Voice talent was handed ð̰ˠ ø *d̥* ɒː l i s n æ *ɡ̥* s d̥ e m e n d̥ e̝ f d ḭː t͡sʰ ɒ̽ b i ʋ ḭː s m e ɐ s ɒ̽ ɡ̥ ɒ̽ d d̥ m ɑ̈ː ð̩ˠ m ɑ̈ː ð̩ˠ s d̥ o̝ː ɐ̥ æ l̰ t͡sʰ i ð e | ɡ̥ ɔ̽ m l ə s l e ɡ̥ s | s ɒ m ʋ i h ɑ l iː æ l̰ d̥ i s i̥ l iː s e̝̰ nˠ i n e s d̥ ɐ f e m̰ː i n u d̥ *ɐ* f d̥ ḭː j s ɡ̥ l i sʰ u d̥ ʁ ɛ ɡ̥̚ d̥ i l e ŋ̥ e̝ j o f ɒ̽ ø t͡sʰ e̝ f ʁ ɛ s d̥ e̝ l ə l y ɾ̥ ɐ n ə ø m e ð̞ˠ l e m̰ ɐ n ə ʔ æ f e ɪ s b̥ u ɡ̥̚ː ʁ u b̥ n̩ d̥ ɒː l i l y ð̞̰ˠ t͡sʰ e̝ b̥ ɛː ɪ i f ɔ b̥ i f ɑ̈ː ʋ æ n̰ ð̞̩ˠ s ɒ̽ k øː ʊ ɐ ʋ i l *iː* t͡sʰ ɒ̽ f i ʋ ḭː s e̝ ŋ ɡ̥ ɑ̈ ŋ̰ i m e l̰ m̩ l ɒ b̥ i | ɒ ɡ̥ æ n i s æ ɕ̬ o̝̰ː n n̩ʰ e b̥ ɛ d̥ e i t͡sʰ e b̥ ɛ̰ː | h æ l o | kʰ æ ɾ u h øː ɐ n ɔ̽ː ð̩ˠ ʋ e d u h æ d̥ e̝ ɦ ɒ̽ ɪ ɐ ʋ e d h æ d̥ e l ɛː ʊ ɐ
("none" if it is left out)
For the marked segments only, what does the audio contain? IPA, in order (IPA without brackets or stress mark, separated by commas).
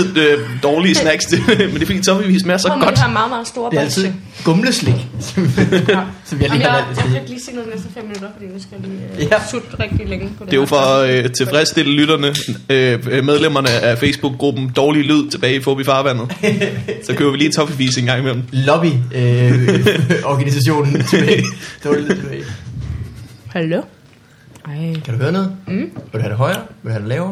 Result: d̥, ɡ̥, ɐ, iː